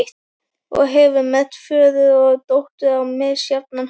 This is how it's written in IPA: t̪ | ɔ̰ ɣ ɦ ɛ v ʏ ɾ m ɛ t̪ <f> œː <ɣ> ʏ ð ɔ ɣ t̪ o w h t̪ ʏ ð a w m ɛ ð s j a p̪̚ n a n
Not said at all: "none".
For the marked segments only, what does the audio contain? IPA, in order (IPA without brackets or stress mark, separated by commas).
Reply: f, ð